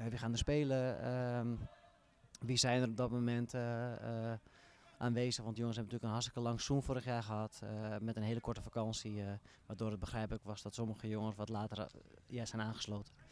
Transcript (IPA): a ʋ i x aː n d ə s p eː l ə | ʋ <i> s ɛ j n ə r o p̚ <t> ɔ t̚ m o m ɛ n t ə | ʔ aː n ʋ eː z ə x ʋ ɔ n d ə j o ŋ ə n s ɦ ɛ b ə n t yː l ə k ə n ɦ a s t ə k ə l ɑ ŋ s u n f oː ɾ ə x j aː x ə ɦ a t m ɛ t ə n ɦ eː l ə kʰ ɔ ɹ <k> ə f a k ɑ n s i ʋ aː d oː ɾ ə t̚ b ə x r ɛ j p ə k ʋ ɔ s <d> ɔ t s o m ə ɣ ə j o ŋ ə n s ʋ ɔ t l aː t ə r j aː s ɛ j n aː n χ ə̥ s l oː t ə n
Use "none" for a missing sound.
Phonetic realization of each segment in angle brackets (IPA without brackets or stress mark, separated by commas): i, d, t, d